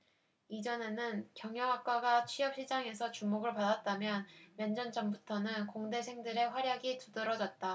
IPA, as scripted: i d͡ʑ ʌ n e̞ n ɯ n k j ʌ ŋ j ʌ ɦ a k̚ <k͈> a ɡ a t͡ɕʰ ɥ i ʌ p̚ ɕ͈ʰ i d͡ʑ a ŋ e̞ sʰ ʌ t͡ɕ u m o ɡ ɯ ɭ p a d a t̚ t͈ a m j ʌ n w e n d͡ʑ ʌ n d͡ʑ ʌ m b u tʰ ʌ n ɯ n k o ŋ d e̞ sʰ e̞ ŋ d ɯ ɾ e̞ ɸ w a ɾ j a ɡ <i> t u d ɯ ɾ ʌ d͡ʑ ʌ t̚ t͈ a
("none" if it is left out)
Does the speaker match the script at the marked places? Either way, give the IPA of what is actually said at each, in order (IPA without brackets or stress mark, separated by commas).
k͈, i